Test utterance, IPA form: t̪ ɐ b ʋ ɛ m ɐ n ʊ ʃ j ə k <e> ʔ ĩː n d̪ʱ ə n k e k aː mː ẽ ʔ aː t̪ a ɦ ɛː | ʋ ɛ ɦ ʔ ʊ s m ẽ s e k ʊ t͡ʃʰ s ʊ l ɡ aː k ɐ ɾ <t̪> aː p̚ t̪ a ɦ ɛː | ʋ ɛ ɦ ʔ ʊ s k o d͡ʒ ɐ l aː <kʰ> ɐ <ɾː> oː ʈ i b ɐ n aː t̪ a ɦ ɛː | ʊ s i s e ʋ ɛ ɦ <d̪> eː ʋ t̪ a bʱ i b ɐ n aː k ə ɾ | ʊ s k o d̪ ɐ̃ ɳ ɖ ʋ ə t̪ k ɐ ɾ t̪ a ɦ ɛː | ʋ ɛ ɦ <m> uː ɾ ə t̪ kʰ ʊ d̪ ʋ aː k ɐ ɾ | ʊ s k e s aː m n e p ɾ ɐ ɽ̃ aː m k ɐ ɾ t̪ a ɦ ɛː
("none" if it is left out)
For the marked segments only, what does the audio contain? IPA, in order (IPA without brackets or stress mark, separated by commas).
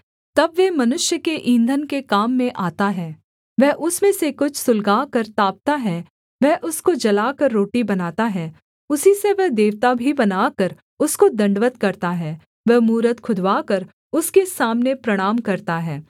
e, t̪, k, ɾː, d̪, m